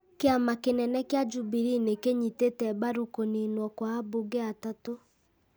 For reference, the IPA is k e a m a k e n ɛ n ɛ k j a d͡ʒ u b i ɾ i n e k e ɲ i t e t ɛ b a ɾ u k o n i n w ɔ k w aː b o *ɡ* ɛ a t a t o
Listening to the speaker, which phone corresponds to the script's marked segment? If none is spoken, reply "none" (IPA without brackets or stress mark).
ɡ